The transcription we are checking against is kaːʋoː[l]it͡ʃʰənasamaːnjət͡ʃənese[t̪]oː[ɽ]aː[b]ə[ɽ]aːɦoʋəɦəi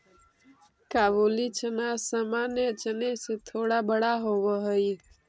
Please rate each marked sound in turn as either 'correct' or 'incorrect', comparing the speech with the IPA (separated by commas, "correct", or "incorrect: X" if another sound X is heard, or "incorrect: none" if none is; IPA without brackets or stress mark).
correct, incorrect: t̪ʰ, correct, correct, correct